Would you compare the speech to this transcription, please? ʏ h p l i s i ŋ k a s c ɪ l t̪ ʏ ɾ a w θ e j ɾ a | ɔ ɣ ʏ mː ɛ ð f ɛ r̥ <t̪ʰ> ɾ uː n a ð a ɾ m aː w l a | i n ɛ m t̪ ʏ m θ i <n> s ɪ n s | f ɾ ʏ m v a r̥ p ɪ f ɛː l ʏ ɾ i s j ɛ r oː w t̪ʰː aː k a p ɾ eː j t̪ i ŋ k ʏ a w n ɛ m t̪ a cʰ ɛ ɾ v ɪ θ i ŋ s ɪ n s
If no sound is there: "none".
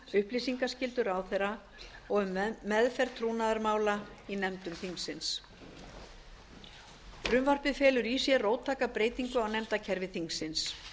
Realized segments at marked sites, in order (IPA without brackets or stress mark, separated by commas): t̪ʰ, ŋ